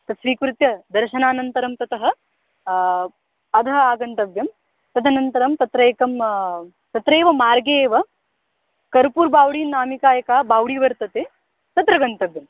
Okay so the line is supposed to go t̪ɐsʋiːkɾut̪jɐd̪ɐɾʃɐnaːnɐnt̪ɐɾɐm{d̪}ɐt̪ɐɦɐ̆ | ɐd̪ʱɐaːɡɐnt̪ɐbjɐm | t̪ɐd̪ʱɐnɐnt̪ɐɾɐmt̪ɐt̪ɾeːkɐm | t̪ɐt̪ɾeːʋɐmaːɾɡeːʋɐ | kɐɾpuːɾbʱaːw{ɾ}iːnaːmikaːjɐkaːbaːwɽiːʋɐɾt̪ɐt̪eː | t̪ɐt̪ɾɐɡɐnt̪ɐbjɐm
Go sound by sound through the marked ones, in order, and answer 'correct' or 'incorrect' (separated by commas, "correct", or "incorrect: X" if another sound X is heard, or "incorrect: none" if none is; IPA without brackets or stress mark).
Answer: incorrect: t̪, incorrect: ɽ